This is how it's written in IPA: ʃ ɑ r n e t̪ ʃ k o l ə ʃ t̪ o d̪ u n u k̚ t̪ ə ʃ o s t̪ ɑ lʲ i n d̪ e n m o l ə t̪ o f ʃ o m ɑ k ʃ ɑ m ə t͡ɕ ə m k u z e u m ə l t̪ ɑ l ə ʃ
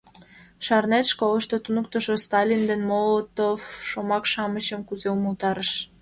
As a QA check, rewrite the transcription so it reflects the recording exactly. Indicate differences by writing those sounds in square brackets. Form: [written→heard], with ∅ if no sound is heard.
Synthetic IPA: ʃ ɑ r n e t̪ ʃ k o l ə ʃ t̪ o [d̪→t̪] u n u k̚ t̪ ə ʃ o s t̪ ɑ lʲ i n d̪ e n m o l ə t̪ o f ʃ o m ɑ k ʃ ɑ m ə t͡ɕ ə m k u z e u m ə l t̪ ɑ [l→ɾ] ə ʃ